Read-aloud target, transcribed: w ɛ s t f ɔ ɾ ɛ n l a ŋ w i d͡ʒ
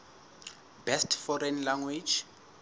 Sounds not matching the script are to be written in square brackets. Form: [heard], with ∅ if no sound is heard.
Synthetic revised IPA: [b] ɛ s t f ɔ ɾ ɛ n l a ŋ w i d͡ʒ